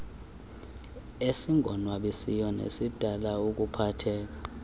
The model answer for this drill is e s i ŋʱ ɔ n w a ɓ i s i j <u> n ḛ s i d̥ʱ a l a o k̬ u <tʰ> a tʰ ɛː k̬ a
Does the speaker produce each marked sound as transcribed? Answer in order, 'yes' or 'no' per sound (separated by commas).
no, no